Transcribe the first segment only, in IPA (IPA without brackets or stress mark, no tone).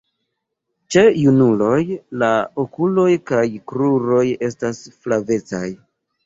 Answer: t͡ʃ